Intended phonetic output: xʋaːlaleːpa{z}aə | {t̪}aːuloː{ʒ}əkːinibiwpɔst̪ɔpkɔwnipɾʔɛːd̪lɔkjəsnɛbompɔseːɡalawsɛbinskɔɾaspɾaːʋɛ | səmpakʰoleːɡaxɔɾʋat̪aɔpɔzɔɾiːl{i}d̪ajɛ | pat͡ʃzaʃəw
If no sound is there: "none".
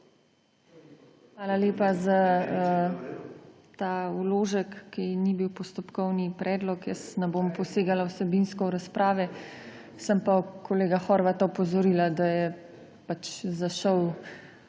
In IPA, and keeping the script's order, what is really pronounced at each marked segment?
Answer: z, t̪, ʒ, a

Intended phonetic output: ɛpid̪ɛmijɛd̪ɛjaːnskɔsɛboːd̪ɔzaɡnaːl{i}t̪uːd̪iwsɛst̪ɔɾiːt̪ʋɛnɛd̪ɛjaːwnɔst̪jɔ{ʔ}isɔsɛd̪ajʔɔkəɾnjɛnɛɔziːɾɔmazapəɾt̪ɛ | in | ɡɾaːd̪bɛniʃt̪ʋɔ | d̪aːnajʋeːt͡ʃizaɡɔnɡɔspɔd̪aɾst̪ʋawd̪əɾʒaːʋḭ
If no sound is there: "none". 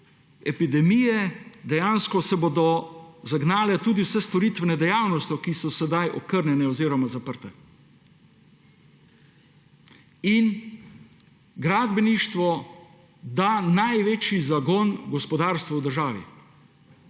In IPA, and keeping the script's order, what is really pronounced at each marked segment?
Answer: ɛ, k

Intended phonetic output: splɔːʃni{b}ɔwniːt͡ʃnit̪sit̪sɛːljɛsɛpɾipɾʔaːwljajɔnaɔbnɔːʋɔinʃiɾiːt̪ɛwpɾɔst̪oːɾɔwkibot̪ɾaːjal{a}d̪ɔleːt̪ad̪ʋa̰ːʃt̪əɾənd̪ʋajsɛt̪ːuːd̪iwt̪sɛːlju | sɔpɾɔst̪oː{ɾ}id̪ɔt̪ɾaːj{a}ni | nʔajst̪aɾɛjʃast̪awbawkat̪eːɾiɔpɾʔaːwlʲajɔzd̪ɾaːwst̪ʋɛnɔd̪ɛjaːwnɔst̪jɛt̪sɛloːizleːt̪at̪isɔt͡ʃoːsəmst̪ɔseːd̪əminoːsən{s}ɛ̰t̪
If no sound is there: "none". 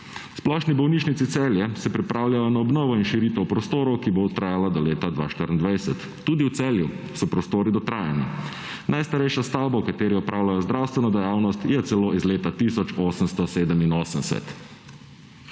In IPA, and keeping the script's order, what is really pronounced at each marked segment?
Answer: b, a, ɾ, a, s

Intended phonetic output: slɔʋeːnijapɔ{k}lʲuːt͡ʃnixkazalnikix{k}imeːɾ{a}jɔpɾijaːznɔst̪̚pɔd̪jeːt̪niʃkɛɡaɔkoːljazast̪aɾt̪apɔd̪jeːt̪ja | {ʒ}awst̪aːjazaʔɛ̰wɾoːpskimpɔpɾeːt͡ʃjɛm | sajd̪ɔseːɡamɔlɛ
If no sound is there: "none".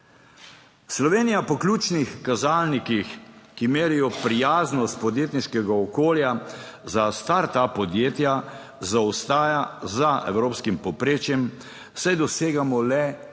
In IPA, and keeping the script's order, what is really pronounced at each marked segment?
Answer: k, k, i, z

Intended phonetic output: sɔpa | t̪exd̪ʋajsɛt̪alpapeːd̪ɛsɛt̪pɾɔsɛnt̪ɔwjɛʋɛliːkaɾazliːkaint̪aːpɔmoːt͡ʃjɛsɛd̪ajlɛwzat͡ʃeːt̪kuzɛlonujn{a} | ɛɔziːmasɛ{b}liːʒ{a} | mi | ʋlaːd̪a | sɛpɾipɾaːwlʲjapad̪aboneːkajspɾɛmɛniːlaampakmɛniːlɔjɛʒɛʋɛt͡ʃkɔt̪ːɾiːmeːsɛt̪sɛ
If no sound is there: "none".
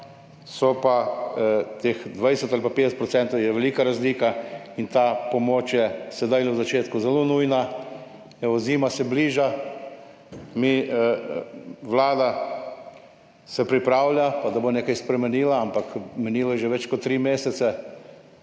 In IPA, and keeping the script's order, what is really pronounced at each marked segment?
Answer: a, b, a

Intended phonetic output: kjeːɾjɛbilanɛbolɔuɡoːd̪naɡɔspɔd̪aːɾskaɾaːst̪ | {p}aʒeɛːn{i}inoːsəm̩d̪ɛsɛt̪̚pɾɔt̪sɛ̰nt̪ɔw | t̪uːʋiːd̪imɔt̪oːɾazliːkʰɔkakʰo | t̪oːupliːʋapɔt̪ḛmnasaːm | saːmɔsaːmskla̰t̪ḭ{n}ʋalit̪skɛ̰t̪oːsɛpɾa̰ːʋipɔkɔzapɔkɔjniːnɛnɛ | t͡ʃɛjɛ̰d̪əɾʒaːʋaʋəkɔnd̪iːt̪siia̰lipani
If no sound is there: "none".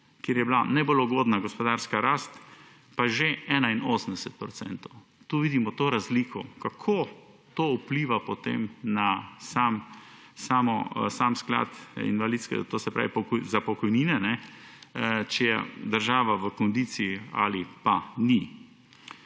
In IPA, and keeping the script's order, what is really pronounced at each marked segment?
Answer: p, a, n

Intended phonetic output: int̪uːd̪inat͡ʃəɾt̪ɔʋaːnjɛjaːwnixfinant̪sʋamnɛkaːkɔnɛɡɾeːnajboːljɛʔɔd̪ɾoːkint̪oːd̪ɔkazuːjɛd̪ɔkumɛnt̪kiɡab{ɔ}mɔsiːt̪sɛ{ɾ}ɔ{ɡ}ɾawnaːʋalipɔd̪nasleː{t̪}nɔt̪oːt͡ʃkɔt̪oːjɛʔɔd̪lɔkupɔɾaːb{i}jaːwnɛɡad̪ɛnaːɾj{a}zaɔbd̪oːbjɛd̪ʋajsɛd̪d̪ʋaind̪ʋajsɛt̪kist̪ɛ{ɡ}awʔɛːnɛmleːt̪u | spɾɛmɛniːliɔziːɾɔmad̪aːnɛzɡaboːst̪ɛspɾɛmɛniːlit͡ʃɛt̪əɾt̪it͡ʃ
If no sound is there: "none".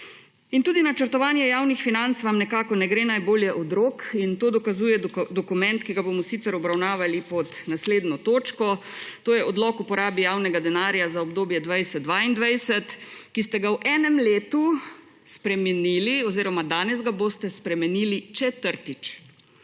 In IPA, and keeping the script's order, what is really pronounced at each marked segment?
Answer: o, ɾ, b, d̪, i, a, ɡ

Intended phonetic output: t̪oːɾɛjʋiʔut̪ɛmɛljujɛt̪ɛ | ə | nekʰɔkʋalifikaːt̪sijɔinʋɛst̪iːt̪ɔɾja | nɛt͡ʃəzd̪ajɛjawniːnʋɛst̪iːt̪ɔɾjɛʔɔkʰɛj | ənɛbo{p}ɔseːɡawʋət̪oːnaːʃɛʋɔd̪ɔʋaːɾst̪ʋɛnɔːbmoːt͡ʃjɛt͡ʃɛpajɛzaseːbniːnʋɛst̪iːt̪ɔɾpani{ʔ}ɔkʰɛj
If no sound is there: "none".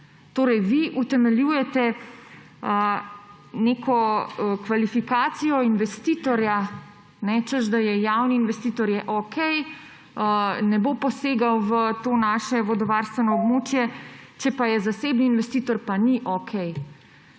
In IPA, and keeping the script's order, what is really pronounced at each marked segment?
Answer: p, ʔ

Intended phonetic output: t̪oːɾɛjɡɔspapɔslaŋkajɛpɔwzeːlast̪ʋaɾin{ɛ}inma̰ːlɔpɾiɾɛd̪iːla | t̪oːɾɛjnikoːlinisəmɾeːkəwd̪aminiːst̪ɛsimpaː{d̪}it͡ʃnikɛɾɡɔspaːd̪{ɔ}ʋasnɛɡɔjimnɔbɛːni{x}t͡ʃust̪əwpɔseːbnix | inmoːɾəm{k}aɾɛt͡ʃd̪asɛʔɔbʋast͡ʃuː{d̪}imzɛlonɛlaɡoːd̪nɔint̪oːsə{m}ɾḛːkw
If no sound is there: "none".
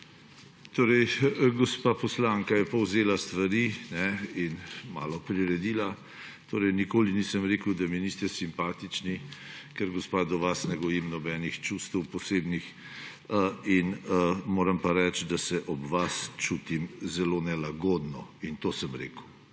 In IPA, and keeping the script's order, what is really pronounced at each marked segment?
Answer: ɛ, t̪, ɔ, x, p, t̪, m

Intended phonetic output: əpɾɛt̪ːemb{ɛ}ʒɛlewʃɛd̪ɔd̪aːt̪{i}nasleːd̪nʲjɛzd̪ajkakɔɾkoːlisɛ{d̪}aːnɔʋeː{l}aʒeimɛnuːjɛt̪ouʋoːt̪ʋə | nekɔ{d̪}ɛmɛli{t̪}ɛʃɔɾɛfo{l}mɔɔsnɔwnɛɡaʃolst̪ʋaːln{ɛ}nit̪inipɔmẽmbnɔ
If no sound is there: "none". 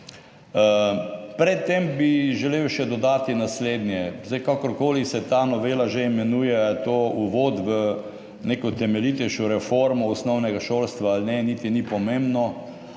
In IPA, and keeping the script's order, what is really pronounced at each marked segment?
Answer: i, i, t̪, l, t̪, t̪, ɾ, ɛ

